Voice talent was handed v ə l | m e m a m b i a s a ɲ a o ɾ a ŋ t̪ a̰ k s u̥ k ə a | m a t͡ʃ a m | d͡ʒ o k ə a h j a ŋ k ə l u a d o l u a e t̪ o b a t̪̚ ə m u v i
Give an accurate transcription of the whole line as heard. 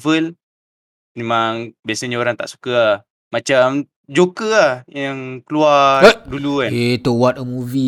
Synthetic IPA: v ə l | m e m a ŋ b i a s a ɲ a o ɾ a ŋ t̪ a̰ ʔ s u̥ k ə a | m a t͡ʃ a m | d͡ʒ o k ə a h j a ŋ k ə l u a d u l u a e t̪ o w a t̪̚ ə m u v i